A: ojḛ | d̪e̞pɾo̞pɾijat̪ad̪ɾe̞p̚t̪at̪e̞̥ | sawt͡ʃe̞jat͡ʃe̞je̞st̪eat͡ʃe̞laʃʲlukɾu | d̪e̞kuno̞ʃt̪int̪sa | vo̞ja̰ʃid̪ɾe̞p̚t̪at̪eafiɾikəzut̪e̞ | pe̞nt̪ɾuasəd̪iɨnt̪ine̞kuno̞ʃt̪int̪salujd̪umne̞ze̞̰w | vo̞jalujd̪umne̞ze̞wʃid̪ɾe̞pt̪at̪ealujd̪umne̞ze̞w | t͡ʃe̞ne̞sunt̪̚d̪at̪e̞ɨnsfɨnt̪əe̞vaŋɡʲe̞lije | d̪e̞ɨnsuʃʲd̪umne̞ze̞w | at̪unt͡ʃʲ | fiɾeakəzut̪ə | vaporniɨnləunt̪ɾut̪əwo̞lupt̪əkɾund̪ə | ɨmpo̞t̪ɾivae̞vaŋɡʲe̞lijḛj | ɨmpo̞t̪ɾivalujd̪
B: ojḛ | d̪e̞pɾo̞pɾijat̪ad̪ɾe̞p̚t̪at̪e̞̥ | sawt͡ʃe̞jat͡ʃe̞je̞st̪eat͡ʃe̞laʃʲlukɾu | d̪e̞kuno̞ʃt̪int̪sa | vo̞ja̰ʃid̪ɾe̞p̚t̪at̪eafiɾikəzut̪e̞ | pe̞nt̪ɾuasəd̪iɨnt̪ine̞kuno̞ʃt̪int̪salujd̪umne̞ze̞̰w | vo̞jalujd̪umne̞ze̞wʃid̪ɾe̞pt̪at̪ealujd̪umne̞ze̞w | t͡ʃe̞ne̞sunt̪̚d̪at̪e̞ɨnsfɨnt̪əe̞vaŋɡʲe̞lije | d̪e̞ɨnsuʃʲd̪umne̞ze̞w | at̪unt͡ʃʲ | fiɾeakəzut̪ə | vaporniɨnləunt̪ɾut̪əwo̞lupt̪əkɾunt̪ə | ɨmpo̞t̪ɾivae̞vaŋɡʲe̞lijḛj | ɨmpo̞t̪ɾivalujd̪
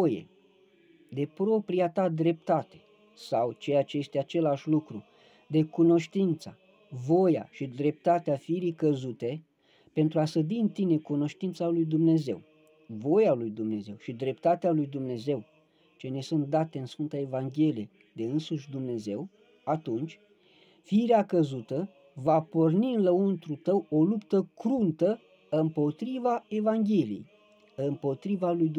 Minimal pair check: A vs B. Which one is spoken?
B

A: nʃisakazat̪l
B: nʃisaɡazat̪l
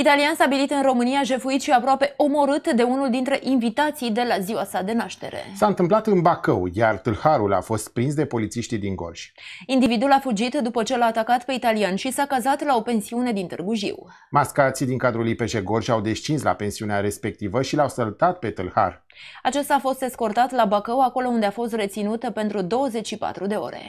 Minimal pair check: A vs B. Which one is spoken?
A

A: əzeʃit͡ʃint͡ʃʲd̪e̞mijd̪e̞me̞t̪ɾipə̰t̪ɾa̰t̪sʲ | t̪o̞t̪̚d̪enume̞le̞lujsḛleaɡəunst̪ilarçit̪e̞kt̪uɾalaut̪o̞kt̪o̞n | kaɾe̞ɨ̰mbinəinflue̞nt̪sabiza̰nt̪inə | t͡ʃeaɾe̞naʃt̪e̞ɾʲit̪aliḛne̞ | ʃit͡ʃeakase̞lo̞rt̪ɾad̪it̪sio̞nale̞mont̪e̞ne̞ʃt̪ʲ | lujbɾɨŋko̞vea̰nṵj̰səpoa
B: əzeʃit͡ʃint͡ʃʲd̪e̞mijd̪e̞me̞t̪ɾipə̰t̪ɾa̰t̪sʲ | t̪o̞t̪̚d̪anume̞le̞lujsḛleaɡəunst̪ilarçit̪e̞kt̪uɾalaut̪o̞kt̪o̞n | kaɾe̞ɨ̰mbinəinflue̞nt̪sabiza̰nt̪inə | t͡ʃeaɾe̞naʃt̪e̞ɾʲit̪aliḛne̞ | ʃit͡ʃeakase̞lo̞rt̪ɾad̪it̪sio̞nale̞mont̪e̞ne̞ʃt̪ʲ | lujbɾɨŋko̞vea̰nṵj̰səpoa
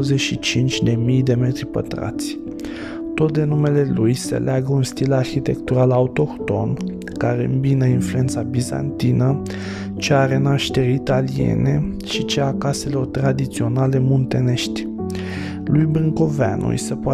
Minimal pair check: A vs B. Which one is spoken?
A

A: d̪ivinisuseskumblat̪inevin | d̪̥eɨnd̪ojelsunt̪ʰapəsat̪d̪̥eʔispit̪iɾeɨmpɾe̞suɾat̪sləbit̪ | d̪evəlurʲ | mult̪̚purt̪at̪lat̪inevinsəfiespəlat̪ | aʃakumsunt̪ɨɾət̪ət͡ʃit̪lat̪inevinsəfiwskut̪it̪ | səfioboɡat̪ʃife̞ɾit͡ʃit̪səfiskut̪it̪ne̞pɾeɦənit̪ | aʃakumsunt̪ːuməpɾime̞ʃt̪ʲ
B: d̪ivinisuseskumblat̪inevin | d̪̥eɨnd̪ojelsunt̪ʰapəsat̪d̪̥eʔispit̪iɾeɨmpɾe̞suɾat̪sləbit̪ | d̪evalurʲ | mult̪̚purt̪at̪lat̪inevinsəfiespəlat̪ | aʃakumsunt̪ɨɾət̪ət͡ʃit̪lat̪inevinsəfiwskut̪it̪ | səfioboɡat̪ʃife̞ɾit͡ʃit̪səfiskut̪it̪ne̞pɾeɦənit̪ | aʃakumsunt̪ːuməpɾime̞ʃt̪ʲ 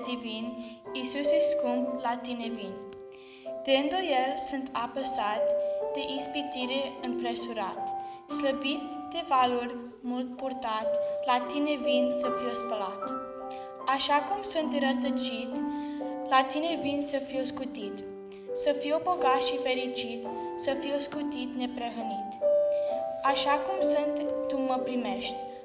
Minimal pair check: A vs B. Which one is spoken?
B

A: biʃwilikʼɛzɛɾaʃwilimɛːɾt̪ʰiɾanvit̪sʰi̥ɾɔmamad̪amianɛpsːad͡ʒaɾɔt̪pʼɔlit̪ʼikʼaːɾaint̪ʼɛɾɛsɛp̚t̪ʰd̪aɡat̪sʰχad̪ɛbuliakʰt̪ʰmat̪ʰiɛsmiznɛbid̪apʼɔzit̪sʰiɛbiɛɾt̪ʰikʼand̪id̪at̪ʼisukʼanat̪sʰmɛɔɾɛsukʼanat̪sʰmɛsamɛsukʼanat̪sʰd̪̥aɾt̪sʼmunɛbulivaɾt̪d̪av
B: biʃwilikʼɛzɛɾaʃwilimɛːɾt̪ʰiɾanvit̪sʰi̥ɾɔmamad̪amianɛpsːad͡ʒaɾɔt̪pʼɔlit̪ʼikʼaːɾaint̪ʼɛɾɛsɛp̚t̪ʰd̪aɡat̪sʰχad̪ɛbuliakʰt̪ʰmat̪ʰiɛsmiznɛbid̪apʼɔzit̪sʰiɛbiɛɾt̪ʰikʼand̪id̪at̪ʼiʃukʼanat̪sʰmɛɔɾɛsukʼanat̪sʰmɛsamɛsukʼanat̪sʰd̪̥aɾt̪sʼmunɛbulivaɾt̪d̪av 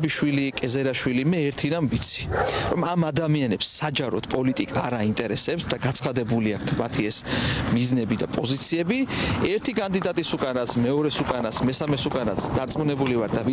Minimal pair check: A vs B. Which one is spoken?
A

